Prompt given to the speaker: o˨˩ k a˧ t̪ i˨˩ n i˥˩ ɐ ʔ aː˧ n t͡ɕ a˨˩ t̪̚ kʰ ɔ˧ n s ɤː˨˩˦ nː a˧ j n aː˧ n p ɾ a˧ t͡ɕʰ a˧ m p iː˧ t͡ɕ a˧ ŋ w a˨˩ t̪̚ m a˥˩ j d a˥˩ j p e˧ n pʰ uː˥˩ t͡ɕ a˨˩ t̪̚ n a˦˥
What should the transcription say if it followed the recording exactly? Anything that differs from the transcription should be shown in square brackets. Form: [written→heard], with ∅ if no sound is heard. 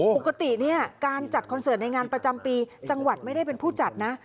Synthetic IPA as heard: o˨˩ k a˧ t̪ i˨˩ n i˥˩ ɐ [ʔ→k] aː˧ n t͡ɕ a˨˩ t̪̚ kʰ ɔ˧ n s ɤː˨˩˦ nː a˧ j [n→ŋ] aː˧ n p ɾ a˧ [t͡ɕʰ→t͡ɕ] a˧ m p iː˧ t͡ɕ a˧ ŋ w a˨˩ t̪̚ m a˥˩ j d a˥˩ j p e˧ n pʰ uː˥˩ t͡ɕ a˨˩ t̪̚ n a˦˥